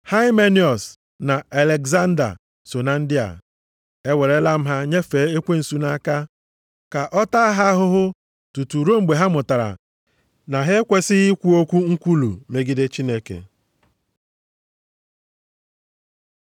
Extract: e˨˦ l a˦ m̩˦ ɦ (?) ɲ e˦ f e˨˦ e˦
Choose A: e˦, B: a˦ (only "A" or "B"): B